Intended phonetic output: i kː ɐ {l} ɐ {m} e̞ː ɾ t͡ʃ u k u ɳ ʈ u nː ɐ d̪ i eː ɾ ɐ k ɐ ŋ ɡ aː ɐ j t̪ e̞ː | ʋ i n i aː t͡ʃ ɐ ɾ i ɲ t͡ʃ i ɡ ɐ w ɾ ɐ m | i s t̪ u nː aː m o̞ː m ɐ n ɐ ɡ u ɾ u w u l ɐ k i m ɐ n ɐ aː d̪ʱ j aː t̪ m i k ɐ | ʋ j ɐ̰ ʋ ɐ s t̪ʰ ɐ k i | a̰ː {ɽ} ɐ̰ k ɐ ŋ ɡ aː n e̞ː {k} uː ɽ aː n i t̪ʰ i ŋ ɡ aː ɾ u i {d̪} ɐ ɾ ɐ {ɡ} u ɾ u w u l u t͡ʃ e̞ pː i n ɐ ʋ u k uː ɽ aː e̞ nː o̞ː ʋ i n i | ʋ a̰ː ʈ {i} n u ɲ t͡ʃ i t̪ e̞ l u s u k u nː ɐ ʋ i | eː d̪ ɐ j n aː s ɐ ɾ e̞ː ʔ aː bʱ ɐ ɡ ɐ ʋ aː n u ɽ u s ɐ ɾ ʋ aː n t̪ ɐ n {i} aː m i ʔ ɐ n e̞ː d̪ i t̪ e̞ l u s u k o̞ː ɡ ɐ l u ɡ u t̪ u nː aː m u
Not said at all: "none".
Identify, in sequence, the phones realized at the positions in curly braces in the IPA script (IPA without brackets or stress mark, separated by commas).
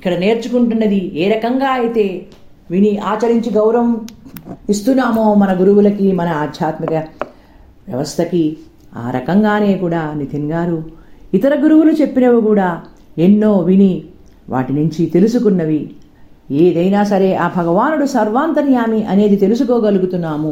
ɽ, n, ɾ, k, t̪, ɡ, i, j